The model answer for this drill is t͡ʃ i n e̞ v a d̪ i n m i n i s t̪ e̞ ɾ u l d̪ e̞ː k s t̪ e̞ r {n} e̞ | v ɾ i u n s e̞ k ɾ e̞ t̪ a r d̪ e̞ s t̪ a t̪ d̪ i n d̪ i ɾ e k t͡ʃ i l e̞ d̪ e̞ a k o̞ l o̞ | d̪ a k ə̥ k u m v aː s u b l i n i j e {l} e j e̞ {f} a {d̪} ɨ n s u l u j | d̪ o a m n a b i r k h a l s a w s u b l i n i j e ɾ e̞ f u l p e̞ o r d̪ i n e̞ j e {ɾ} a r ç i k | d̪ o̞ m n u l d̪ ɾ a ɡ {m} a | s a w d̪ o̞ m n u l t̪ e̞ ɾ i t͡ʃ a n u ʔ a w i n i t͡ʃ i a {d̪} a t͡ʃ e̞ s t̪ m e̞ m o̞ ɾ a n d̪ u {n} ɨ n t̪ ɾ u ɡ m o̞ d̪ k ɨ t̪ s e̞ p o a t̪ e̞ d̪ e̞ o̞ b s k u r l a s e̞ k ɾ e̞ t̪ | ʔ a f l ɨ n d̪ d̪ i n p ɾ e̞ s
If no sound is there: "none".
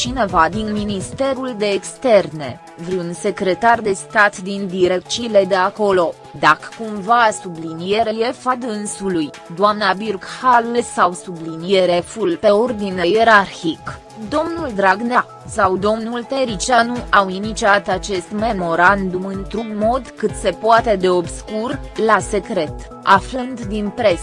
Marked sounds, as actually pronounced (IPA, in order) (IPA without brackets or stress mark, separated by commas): n, ɾ, f, d̪, ɾ, n, t̪, m